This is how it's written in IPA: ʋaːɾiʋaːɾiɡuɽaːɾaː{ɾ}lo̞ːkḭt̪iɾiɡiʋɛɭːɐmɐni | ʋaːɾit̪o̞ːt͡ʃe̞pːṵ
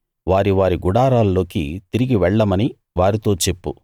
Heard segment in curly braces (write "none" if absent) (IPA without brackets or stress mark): l